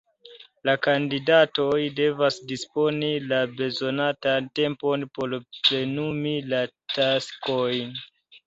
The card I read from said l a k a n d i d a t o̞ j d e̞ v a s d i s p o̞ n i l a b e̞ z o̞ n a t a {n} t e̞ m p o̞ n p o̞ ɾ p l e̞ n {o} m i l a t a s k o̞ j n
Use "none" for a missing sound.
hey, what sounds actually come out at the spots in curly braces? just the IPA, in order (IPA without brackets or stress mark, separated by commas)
n, u